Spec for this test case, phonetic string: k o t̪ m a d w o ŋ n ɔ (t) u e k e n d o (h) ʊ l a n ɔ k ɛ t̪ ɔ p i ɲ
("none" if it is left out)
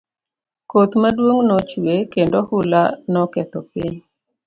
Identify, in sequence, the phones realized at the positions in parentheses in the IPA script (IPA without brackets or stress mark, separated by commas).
t͡ʃ, h